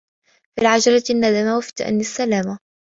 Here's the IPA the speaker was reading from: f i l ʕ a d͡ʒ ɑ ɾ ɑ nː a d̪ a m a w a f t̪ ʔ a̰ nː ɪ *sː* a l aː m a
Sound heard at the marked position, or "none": sː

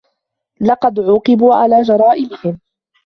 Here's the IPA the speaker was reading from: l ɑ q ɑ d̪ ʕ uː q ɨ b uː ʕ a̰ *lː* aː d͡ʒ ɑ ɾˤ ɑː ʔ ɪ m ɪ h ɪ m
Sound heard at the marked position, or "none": l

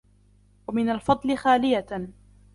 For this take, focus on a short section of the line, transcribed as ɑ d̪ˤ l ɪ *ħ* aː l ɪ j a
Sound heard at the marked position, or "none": x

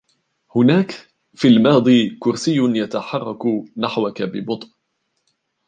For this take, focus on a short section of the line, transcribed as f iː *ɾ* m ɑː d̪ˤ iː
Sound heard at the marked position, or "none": l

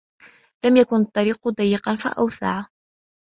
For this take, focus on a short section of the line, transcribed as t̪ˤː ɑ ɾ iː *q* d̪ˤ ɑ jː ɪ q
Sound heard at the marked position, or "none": q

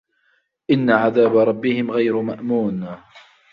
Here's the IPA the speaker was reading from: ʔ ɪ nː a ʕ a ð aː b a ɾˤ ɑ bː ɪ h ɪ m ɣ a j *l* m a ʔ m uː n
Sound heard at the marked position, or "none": ɾ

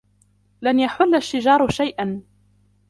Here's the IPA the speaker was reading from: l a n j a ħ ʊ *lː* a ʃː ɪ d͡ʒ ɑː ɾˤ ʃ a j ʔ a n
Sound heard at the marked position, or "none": lː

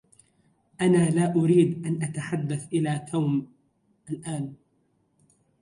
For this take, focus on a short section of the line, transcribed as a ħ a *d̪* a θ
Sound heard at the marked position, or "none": d̪ː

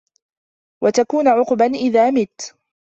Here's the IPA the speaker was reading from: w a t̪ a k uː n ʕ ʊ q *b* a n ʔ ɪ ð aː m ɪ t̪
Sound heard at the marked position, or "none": b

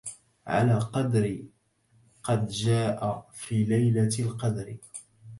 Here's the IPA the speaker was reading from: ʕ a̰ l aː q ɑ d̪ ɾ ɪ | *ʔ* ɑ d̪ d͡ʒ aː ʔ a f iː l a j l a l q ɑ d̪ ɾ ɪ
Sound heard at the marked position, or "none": q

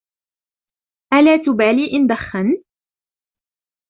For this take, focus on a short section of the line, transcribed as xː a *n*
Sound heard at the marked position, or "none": n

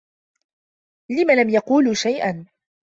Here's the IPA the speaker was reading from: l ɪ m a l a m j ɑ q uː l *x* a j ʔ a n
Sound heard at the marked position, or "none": ʃ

